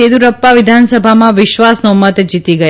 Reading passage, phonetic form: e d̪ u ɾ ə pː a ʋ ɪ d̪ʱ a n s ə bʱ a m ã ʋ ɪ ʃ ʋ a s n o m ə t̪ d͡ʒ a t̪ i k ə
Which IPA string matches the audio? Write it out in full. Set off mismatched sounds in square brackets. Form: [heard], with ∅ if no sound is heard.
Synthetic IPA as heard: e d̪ u ɾ ə pː a ʋ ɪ d̪ʱ a n s ə bʱ a m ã ʋ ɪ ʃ ʋ a s n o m ə t̪ d͡ʒ [i] t̪ i [ɡ] ə